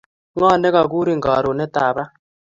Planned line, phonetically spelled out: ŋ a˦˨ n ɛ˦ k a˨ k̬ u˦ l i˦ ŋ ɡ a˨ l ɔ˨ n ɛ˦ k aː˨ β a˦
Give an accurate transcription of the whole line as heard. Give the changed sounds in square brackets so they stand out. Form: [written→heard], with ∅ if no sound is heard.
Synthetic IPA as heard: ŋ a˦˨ n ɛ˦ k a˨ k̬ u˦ [l→ɾ] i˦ ŋ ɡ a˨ [l→ɾ] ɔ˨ n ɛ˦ [k→t] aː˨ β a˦